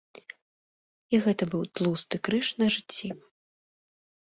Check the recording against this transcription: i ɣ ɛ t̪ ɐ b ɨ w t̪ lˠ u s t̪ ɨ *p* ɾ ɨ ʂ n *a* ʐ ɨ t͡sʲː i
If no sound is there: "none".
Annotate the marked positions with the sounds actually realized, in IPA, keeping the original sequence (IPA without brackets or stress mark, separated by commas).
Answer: k, ɐ